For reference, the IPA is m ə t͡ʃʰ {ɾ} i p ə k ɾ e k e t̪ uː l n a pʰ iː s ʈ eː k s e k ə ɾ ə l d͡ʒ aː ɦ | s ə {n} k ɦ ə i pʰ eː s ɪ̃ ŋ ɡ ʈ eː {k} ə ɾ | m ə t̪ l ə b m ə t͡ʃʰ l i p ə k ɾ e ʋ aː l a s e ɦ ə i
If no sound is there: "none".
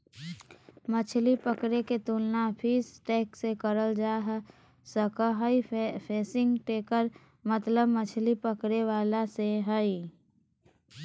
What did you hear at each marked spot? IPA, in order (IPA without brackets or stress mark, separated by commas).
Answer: l, none, k